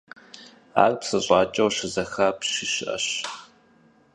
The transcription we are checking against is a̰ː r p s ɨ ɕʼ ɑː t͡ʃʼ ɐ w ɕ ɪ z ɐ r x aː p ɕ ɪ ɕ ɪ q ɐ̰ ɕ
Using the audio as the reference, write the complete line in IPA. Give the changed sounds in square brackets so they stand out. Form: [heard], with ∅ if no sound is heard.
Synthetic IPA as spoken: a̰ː r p s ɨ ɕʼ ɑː t͡ʃʼ ɐ w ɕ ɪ z ɐ [∅] x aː p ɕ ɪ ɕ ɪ [ʔ] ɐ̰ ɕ